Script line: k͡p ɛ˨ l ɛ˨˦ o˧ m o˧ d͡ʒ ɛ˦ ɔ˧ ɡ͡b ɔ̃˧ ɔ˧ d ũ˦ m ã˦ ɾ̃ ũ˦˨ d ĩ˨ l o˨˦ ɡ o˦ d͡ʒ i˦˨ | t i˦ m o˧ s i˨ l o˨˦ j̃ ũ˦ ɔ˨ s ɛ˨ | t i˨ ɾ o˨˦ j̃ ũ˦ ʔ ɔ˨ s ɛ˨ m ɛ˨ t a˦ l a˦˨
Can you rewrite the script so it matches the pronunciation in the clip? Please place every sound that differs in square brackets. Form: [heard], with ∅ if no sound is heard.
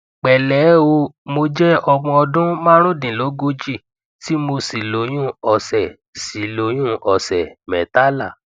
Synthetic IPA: k͡p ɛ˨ l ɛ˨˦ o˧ m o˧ d͡ʒ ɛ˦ ɔ˧ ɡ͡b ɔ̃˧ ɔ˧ d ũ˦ m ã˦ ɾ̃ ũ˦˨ d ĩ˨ l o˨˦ ɡ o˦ d͡ʒ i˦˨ | t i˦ m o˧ s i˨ l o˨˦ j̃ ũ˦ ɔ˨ s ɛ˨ | [s] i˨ [l] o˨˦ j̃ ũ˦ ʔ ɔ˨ s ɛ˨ m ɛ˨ t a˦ l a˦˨